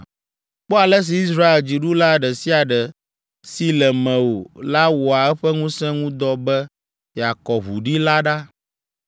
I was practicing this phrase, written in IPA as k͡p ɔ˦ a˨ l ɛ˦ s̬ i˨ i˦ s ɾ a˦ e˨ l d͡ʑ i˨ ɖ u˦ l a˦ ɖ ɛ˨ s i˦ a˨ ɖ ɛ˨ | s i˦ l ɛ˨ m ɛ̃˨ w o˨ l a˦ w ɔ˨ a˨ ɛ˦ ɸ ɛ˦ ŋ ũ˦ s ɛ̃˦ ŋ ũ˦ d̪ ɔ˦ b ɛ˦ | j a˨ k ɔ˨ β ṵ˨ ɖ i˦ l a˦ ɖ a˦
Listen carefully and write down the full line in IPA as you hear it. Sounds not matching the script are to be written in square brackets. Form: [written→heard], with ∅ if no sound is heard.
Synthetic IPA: k͡p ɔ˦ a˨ l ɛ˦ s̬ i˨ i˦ s ɾ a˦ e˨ l d͡ʑ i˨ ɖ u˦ l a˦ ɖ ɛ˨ s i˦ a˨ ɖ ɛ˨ | s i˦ l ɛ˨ m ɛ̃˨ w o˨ l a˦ w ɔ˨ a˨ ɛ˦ ɸ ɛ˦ ŋ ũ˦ s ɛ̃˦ ŋ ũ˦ d̪ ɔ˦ b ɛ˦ | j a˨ k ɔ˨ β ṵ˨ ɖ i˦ l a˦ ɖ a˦